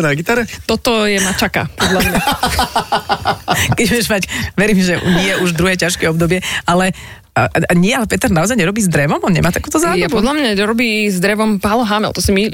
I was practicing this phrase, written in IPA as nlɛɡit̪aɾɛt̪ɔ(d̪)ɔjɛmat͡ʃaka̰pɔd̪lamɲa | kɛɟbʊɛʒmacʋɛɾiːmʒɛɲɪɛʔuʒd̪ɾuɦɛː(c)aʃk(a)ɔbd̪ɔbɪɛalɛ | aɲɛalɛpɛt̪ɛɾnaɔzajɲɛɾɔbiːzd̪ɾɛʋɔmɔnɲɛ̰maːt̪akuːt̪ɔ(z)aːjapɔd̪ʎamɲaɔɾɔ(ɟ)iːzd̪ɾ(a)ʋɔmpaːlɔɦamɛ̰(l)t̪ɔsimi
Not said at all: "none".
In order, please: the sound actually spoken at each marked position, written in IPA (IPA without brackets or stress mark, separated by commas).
t̪, c, ɛ, z, b, ɛ, l